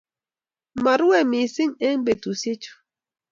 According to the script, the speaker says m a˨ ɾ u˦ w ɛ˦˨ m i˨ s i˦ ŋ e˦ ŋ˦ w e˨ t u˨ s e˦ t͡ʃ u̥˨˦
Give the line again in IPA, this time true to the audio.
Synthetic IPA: m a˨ ɾ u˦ w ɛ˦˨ m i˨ s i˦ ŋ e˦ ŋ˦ b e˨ t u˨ s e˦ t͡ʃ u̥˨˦